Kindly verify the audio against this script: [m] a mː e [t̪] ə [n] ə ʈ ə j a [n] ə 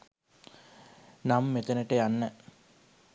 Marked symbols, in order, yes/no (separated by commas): no, yes, yes, no